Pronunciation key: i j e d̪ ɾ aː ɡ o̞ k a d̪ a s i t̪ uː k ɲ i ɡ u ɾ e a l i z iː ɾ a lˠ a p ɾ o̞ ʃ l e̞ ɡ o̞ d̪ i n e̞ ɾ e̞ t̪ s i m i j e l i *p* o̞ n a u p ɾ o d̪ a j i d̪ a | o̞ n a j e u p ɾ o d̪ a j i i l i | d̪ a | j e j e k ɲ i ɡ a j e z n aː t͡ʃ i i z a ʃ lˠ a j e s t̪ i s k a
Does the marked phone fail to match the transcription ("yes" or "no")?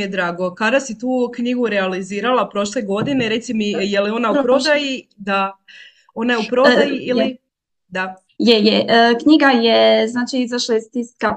yes